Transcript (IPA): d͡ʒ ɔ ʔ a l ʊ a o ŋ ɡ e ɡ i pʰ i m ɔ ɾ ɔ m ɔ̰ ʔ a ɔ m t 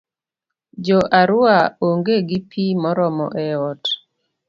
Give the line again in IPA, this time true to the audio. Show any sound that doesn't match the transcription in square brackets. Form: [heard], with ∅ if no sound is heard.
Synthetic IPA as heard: d͡ʒ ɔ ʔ a [ɾ] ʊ a o ŋ ɡ e ɡ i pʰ i m ɔ ɾ ɔ m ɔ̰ ʔ [ɛ] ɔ [∅] t